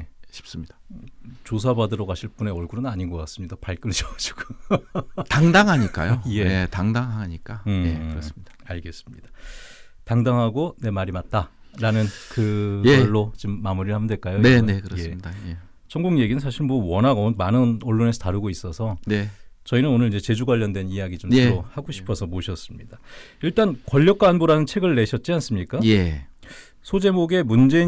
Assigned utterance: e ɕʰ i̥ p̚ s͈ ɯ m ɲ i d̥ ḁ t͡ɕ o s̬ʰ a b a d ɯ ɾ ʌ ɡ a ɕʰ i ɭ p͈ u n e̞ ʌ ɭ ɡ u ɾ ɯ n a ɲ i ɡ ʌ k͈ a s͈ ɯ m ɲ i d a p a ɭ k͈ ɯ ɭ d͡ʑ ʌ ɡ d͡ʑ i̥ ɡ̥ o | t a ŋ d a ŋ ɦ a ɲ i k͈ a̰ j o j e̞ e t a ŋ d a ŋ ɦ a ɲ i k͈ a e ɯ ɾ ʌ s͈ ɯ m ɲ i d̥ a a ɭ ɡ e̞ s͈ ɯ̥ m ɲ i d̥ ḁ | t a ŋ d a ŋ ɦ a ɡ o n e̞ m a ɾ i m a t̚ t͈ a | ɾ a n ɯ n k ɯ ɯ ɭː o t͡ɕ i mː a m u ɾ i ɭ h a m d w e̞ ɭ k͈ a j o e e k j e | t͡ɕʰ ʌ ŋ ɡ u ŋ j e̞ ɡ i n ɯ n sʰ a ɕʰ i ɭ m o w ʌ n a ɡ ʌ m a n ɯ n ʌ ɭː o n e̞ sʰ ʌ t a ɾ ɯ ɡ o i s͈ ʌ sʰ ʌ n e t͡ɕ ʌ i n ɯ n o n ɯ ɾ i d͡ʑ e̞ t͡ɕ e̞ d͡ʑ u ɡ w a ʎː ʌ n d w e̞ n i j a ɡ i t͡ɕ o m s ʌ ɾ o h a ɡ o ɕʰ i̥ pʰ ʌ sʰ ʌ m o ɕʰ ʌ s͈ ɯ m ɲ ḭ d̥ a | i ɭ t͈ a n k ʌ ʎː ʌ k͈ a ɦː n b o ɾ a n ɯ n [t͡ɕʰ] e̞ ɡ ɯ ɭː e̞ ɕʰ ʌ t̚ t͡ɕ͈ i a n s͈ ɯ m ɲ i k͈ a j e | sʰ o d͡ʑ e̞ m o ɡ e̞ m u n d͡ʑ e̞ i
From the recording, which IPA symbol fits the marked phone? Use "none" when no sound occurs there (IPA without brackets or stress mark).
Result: t͡ɕʰ